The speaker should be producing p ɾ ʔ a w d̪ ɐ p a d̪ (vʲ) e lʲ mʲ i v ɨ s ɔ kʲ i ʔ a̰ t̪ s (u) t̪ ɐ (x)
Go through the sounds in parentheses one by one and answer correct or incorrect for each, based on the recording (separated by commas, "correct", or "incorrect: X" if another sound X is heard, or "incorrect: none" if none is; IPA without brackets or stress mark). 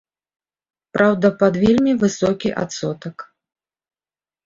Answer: correct, incorrect: ɔ, incorrect: k